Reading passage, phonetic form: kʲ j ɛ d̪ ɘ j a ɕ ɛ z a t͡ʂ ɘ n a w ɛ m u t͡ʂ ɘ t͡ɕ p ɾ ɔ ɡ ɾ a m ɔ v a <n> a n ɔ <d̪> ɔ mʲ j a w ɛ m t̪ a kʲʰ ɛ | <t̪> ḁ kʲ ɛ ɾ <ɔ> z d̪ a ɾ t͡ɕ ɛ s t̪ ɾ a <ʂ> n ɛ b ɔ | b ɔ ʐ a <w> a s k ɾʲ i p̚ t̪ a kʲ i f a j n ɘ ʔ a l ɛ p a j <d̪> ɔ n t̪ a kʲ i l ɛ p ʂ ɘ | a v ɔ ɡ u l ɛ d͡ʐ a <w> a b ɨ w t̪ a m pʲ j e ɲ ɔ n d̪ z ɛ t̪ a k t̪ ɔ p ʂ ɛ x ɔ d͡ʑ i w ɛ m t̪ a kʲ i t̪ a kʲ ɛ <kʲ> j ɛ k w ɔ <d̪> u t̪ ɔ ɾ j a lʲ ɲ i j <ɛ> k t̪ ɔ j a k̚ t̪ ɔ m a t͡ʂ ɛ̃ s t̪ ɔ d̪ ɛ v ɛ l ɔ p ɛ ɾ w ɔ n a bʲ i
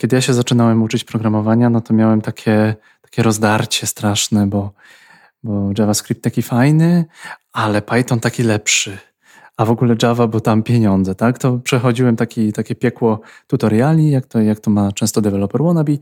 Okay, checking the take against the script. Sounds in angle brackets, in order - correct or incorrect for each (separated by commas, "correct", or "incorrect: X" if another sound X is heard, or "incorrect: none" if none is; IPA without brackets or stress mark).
incorrect: ɲ, incorrect: t̪, correct, correct, correct, incorrect: v, incorrect: t̪, incorrect: v, incorrect: pʲ, incorrect: t̪, incorrect: a